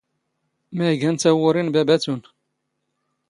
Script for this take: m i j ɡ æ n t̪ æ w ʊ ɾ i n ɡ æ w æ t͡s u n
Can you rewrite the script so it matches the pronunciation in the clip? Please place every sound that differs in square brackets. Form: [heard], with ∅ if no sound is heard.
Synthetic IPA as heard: m [æ] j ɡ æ n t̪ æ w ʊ ɾ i n [b] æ [b] æ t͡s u n